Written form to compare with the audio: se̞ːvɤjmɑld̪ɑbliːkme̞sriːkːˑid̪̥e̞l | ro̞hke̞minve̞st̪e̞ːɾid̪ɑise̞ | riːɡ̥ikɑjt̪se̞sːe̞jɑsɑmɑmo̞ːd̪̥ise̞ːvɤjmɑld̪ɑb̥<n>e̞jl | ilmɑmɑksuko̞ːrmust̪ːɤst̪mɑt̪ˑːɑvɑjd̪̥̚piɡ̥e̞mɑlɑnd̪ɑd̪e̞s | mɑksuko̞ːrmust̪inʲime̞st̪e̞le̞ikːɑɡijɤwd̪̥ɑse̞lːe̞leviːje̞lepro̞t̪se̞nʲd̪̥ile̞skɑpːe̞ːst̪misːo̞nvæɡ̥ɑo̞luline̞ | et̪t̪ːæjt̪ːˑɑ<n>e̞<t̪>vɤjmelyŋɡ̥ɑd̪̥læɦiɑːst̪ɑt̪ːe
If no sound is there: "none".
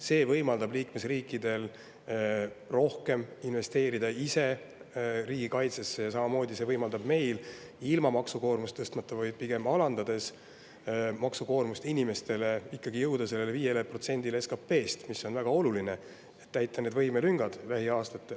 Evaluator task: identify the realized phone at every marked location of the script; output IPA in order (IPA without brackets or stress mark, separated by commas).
m, n, d̪